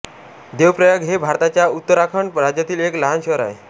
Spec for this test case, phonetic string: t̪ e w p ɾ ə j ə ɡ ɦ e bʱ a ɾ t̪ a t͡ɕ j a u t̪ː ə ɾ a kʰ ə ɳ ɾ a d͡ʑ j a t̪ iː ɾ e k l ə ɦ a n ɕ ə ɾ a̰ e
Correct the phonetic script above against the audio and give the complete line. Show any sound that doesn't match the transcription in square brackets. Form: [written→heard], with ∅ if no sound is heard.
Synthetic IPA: [t̪→d̪] e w p ɾ ə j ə ɡ ɦ e bʱ a ɾ t̪ a t͡ɕ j a u t̪ː ə ɾ a kʰ ə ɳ ɾ a d͡ʑ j a t̪ iː [ɾ→l] e k l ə ɦ a n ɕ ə ɾ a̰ e